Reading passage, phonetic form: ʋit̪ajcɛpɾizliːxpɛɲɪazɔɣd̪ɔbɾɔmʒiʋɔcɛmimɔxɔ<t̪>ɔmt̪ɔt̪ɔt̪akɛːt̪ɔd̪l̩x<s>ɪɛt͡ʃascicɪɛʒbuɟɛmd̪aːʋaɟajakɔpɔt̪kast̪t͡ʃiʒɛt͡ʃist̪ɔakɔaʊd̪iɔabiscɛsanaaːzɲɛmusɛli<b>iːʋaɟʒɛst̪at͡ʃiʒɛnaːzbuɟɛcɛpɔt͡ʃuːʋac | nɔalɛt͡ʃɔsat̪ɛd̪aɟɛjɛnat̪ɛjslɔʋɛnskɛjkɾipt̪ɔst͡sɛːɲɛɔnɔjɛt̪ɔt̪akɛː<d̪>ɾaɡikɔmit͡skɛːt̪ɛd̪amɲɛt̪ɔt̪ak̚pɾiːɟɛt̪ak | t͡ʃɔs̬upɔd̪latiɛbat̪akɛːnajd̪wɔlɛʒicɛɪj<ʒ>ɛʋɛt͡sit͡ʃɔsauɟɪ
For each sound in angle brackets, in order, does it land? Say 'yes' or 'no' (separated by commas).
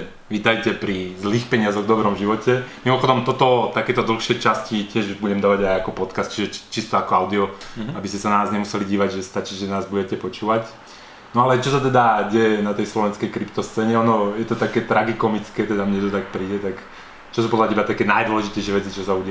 no, no, no, no, no